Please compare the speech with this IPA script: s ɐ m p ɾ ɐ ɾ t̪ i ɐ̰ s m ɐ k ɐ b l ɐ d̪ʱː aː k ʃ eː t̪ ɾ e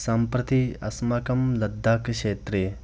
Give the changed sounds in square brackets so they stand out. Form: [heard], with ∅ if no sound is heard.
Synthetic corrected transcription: s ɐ m p ɾ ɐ [∅] t̪ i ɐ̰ s m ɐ k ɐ [m] l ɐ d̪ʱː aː k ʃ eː t̪ ɾ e

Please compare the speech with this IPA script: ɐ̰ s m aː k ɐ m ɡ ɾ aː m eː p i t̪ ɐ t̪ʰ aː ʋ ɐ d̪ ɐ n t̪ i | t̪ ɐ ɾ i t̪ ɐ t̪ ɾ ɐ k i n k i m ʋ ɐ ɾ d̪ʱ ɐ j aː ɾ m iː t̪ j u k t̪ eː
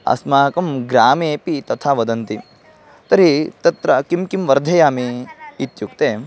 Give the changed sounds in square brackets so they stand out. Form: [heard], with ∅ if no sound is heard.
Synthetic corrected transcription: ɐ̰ s m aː k ɐ m ɡ ɾ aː m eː p i t̪ ɐ t̪ʰ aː ʋ ɐ d̪ ɐ n t̪ i | t̪ ɐ ɾ i t̪ ɐ t̪ ɾ ɐ k i [m] k i m ʋ ɐ ɾ d̪ʱ ɐ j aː [∅] m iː t̪ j u k t̪ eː

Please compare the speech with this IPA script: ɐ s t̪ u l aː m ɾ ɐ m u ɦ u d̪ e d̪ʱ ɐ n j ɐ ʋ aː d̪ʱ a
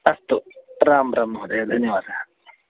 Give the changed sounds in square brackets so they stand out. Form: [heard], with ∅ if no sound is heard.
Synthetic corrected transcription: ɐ s t̪ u [ɾ] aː m ɾ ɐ m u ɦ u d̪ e d̪ʱ ɐ n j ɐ ʋ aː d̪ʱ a

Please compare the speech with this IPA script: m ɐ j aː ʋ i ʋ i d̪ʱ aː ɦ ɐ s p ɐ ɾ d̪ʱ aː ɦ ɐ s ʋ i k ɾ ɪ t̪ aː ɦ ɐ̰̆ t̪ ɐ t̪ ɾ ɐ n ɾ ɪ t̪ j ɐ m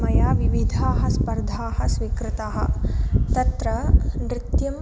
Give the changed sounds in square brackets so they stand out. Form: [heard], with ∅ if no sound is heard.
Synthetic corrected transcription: m ɐ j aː ʋ i ʋ i d̪ʱ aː ɦ ɐ s p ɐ ɾ d̪ʱ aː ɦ ɐ s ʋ i k ɾ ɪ t̪ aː ɦ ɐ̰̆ t̪ ɐ t̪ ɾ ɐ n ɾ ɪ t̪ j ɐ m

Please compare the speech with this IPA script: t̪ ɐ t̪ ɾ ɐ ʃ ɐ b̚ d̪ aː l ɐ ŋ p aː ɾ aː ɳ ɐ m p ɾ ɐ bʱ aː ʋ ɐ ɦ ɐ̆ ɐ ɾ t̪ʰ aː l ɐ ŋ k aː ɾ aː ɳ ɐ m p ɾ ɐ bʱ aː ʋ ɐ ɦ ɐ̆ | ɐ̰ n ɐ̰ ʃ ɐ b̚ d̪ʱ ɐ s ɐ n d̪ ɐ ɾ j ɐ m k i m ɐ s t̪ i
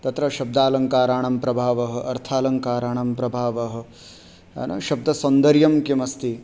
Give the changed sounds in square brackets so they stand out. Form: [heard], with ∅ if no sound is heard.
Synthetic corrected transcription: t̪ ɐ t̪ ɾ ɐ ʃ ɐ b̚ d̪ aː l ɐ ŋ [k] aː ɾ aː ɳ ɐ m p ɾ ɐ bʱ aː ʋ ɐ ɦ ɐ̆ ɐ ɾ t̪ʰ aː l ɐ ŋ k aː ɾ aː ɳ ɐ m p ɾ ɐ bʱ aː ʋ ɐ ɦ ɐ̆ | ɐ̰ n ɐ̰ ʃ ɐ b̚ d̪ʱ ɐ s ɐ n d̪ ɐ ɾ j ɐ m k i m ɐ s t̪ i

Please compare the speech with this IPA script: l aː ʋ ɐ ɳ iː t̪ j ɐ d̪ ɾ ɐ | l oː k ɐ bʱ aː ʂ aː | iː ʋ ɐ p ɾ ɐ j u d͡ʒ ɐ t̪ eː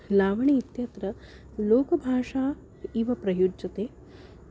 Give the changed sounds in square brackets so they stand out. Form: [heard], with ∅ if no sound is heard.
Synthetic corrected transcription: l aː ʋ ɐ ɳ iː t̪ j ɐ [t̪] ɾ ɐ | l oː k ɐ bʱ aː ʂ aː | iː ʋ ɐ p ɾ ɐ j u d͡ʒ ɐ t̪ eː

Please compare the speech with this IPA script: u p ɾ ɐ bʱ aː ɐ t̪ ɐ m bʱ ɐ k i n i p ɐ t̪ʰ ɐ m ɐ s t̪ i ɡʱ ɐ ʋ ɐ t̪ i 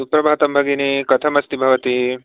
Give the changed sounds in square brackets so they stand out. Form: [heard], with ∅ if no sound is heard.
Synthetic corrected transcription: u p ɾ ɐ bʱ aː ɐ t̪ ɐ m bʱ ɐ [ɡ] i n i [k] ɐ t̪ʰ ɐ m ɐ s t̪ i [bʱ] ɐ ʋ ɐ t̪ i

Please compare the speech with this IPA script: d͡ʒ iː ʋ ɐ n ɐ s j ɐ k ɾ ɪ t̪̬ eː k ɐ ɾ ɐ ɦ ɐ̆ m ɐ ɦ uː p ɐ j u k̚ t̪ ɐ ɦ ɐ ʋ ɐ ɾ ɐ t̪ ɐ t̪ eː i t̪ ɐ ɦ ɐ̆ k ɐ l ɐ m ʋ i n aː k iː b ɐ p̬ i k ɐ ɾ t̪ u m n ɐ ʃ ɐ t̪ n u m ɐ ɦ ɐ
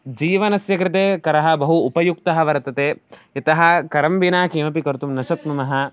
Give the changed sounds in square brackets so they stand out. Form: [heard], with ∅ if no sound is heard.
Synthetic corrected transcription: d͡ʒ iː ʋ ɐ n ɐ s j ɐ k ɾ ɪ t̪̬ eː k ɐ ɾ ɐ ɦ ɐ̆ [b] ɐ ɦ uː p ɐ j u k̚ t̪ ɐ ɦ ɐ ʋ ɐ ɾ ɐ t̪ ɐ t̪ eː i t̪ ɐ ɦ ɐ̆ k ɐ [ɾ] ɐ m ʋ i n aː k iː [m] ɐ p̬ i k ɐ ɾ t̪ u m n ɐ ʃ ɐ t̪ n u m ɐ ɦ ɐ

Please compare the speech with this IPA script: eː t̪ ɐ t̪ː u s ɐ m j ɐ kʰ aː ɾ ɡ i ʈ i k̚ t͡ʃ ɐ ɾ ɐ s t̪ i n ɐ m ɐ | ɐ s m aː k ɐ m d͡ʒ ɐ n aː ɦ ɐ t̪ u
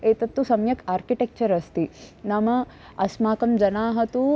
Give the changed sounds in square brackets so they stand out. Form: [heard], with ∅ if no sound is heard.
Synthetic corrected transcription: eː t̪ ɐ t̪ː u s ɐ m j ɐ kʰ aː ɾ [k] i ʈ [e] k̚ t͡ʃ ɐ ɾ ɐ s t̪ i n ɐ m ɐ | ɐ s m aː k ɐ m d͡ʒ ɐ n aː ɦ ɐ t̪ u

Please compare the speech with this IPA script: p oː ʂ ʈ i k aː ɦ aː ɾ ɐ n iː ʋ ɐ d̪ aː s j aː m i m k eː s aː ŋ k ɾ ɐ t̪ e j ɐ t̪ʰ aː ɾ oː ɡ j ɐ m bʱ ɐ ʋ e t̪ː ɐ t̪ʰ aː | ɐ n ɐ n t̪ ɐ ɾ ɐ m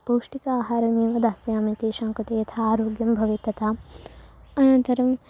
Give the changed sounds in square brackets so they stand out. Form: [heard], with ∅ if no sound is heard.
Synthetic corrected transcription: p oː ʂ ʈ i k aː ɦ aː ɾ ɐ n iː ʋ ɐ d̪ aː s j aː m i [∅] k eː [ʃ] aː ŋ k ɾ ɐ t̪ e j ɐ t̪ʰ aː ɾ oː ɡ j ɐ m bʱ ɐ ʋ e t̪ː ɐ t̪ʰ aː | ɐ n ɐ n t̪ ɐ ɾ ɐ m

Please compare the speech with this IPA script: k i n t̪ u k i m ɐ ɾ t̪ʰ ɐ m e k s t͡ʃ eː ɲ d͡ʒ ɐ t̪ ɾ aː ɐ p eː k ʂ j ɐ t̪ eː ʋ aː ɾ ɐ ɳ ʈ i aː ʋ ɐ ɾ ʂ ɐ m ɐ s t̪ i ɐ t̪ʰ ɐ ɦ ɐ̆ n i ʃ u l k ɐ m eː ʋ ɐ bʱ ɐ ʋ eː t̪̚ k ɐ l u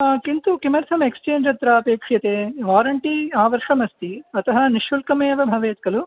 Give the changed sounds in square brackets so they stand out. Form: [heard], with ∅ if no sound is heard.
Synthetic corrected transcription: k i n t̪ u k i m ɐ ɾ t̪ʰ ɐ m e k s t͡ʃ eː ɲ d͡ʒ ɐ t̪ ɾ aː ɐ p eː k ʂ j ɐ t̪ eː ʋ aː ɾ ɐ ɳ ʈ i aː ʋ ɐ ɾ ʂ ɐ m ɐ s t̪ i ɐ [t̪] ɐ ɦ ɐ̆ n i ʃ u l k ɐ m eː ʋ ɐ bʱ ɐ ʋ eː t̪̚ k ɐ l u

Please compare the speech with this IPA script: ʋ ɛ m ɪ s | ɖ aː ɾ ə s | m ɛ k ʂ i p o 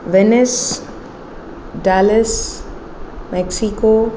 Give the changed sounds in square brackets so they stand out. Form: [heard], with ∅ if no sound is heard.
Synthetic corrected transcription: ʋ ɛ [n] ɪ s | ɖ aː [l] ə s | m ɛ k [s] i [k] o

